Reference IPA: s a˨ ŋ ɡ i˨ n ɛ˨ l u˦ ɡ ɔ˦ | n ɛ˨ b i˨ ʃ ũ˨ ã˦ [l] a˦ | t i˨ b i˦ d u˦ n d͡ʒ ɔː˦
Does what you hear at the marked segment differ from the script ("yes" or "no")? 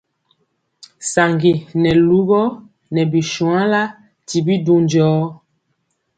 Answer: no